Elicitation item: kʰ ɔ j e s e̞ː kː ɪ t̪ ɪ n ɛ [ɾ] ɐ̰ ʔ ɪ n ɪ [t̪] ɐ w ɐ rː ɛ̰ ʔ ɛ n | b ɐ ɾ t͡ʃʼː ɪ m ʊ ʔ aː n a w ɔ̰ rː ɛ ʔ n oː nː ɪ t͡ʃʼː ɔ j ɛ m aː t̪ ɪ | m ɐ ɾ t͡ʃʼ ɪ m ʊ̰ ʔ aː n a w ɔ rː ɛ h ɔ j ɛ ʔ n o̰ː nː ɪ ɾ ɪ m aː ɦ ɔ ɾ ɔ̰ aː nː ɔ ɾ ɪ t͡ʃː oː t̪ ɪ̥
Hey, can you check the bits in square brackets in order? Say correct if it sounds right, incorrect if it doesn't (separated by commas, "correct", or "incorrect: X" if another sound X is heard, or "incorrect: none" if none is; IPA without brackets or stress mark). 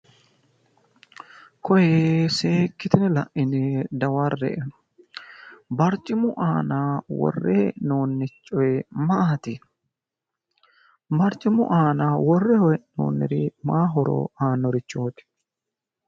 incorrect: l, incorrect: d̪